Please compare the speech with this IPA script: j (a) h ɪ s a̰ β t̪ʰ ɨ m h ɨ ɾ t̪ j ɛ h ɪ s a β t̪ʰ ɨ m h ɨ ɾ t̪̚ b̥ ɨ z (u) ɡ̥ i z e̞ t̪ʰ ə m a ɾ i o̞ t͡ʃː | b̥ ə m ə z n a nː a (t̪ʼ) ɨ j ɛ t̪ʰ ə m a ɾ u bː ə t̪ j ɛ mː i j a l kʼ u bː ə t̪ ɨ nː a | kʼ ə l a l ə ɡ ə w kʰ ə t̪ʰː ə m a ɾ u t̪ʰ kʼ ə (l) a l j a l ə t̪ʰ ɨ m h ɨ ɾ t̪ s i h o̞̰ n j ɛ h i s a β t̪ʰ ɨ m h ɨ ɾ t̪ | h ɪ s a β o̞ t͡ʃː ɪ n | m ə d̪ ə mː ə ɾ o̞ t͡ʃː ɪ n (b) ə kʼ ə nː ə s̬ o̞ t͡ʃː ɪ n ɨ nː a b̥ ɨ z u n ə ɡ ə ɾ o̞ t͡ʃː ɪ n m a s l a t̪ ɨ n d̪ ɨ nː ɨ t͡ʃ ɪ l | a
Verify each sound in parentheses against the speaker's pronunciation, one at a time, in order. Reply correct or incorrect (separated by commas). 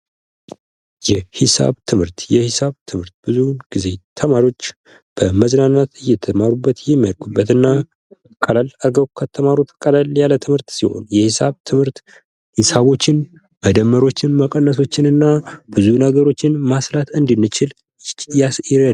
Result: incorrect, correct, incorrect, correct, incorrect